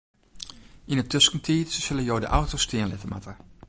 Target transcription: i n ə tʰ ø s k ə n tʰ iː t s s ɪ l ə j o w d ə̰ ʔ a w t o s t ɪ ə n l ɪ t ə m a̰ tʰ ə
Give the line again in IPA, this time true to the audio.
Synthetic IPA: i n ə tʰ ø s k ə n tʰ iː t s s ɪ l ə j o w d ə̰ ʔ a w t o s t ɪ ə n l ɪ t ə m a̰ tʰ ə